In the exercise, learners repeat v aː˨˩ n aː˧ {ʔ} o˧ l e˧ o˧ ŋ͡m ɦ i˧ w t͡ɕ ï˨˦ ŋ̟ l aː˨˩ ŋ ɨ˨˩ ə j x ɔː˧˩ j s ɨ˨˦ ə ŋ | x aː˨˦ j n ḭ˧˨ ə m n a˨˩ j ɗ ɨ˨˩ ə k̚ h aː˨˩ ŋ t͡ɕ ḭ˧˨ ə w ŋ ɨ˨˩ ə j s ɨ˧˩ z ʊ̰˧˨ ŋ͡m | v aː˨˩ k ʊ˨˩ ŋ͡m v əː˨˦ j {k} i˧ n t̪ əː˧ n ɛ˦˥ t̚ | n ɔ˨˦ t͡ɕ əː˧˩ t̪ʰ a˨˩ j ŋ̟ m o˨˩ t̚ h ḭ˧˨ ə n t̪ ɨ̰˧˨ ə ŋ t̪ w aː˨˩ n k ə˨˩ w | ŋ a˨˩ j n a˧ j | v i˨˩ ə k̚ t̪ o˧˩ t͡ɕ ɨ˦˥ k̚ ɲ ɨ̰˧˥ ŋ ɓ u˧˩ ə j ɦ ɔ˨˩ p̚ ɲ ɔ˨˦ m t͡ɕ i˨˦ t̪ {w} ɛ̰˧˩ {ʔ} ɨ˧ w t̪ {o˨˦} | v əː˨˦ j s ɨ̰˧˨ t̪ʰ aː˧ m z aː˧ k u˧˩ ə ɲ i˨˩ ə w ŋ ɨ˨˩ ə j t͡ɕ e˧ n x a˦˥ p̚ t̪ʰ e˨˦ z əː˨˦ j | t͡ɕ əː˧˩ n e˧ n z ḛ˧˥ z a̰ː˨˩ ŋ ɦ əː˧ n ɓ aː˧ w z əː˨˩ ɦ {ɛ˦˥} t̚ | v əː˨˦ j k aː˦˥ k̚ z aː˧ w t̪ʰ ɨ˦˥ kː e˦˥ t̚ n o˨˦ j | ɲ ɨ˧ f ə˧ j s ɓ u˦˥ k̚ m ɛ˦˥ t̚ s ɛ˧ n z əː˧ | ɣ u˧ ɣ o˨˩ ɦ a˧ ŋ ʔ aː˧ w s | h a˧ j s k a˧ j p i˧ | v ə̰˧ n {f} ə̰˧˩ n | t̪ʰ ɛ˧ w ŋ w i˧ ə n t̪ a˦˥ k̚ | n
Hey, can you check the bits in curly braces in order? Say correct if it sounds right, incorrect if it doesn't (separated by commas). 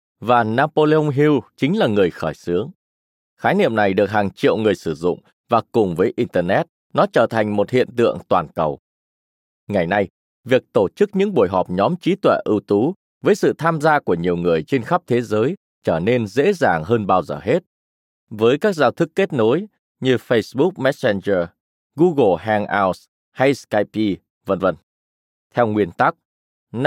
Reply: incorrect, incorrect, correct, correct, incorrect, incorrect, incorrect